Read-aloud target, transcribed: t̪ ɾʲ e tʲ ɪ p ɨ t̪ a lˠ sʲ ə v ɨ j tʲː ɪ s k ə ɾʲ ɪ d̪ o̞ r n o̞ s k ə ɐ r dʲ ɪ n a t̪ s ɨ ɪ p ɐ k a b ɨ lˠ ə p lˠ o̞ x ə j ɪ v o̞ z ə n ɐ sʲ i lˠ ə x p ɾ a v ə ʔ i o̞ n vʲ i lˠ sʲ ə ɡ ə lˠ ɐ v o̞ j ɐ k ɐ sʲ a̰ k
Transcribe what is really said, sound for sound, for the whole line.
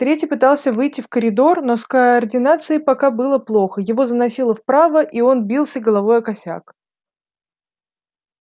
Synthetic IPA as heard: t̪ ɾʲ e tʲ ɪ p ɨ t̪ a lˠ sʲ ə v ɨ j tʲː ɪ f k ə ɾʲ ɪ d̪ o̞ r n o̞ s k ə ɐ r dʲ ɪ n a t̪ s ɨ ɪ p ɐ k a b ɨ lˠ ə p lˠ o̞ x ə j ɪ v o̞ z ə n ɐ sʲ i lˠ ə f p ɾ a v ə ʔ i o̞ n bʲ i lˠ sʲ ə ɡ ə lˠ ɐ v o̞ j ɐ k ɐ sʲ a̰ k